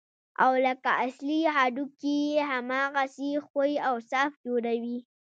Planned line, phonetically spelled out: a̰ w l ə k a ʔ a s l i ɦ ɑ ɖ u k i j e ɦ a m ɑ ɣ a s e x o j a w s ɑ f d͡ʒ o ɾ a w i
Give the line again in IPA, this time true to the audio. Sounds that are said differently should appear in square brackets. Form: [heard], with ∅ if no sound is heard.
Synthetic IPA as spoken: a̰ w l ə k a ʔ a s l i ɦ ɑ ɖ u k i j e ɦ a m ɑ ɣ a s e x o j a w s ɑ f d͡ʒ o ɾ a w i